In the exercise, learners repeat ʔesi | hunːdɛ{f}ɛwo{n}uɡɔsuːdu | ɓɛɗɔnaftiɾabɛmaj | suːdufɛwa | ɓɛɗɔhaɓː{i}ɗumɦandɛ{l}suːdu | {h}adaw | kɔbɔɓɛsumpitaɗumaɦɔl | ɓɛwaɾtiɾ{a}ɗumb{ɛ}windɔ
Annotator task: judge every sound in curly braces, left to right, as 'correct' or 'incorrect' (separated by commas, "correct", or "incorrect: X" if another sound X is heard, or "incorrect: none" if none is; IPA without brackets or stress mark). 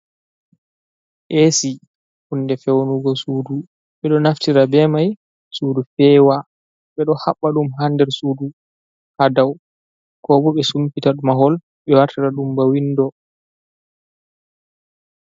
correct, correct, incorrect: a, incorrect: ɾ, correct, correct, incorrect: a